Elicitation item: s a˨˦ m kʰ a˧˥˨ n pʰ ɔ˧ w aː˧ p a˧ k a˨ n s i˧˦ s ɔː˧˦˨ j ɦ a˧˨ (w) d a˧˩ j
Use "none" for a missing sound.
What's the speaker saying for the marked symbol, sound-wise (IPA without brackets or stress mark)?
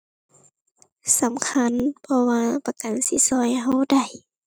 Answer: w